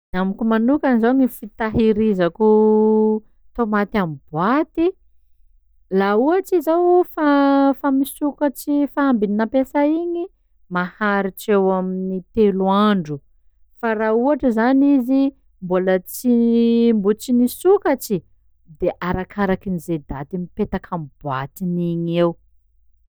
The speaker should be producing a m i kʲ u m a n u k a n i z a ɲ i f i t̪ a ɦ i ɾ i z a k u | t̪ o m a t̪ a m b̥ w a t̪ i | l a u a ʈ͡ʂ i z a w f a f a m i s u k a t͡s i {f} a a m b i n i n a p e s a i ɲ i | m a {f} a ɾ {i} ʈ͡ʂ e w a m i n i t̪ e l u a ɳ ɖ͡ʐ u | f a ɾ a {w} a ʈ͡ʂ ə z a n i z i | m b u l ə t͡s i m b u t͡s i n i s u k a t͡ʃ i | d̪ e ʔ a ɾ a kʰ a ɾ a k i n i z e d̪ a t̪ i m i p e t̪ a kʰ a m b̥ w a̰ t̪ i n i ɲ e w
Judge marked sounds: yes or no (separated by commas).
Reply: yes, no, yes, no